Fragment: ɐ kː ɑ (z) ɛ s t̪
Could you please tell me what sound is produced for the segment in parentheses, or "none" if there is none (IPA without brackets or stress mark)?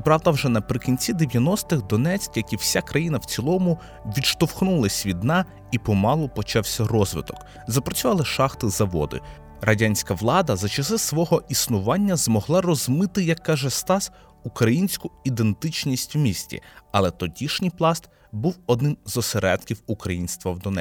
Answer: ʒ